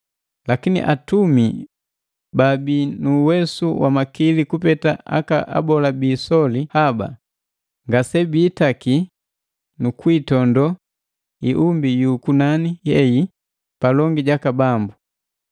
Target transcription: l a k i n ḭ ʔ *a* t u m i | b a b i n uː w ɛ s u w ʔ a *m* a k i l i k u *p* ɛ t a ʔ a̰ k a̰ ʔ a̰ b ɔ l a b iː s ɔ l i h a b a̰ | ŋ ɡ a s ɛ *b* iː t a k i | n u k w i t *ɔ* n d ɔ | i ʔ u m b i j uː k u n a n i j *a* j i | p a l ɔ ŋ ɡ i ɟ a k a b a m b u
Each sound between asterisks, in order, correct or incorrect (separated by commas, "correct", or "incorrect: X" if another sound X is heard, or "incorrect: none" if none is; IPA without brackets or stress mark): correct, correct, correct, correct, correct, incorrect: ɛ